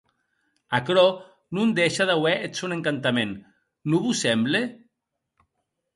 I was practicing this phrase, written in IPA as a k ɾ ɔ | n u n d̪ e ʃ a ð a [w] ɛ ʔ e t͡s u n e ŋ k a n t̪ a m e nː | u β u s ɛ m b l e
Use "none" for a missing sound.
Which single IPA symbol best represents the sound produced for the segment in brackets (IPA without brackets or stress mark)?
w